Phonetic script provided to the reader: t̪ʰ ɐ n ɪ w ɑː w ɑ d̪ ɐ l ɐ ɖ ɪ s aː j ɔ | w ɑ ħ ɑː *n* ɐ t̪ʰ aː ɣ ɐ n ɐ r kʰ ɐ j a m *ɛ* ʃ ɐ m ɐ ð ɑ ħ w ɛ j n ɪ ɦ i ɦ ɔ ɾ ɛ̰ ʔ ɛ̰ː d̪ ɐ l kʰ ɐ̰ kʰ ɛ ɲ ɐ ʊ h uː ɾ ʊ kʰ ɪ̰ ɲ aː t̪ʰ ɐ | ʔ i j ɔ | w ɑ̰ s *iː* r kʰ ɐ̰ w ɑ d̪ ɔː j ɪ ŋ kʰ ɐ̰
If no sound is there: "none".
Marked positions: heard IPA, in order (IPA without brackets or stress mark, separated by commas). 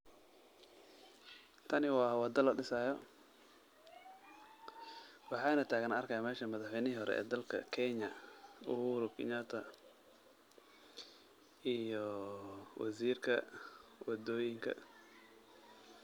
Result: n, ɛː, iː